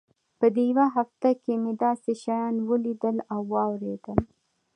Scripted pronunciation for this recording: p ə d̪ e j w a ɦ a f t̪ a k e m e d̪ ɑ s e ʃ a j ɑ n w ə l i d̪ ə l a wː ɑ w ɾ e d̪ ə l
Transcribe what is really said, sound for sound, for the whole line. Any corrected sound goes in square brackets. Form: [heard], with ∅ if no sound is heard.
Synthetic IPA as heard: p ə d̪ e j w a ɦ a f t̪ a k e m e d̪ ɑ s e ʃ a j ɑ n w ə l i d̪ ə l a wː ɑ w ɾ e d̪ ə l